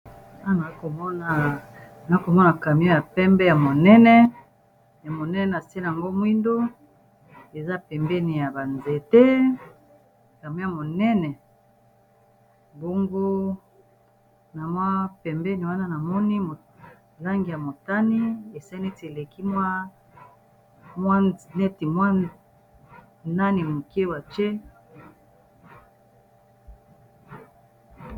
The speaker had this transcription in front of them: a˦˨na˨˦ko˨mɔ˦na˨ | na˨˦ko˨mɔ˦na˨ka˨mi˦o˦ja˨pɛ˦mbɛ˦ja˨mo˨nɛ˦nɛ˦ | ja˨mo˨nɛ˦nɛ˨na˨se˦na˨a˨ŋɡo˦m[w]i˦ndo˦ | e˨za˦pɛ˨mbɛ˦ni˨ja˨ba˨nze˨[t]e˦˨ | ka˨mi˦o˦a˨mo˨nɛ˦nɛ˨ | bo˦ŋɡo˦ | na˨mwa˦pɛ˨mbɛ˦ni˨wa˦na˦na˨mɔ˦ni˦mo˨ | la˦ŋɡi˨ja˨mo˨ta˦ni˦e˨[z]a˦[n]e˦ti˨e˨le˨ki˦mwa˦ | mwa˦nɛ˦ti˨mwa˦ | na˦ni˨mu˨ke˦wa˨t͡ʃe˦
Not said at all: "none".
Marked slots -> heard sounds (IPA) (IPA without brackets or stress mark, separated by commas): w, t, s, n